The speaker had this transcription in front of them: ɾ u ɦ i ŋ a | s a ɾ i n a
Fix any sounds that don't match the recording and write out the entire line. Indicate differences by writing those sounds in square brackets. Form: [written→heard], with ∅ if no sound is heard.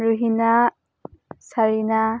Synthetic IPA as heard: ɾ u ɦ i [ŋ→n] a | s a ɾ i n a